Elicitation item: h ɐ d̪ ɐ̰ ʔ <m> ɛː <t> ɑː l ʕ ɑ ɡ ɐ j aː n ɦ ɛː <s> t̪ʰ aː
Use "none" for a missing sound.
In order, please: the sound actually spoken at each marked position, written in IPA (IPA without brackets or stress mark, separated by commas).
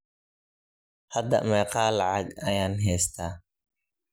m, q, s